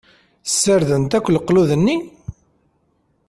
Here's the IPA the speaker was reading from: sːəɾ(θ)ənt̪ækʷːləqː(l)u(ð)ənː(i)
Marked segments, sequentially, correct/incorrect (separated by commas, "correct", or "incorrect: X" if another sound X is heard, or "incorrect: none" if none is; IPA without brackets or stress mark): incorrect: ð, correct, correct, correct